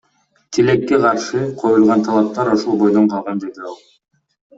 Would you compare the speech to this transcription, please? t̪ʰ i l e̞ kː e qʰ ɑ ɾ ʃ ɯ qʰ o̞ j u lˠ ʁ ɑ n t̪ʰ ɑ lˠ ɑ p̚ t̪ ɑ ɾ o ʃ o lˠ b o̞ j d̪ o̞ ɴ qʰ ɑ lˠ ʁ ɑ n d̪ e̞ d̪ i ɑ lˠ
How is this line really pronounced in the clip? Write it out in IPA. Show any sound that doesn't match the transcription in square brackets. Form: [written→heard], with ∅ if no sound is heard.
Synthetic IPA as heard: t̪ʰ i l e̞ kː e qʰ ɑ ɾ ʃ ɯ qʰ o̞ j u lˠ ʁ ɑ n t̪ʰ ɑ lˠ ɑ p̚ t̪ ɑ ɾ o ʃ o lˠ b o̞ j d̪ o̞ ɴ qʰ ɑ lˠ ʁ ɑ n d̪ e̞ d̪ i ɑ lˠ